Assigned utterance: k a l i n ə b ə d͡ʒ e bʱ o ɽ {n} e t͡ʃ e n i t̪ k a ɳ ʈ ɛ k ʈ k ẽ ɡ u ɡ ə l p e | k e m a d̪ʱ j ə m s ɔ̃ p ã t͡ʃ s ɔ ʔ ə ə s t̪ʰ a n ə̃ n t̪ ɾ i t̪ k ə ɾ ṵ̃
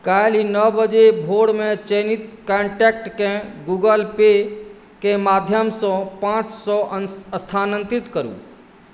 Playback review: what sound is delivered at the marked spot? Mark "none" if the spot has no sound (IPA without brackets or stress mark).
m